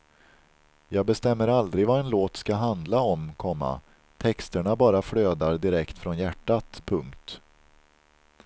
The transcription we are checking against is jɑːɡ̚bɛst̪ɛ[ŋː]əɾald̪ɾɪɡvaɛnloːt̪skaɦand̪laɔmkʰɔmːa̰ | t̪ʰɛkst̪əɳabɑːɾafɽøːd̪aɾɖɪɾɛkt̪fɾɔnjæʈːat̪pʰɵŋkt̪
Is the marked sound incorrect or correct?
incorrect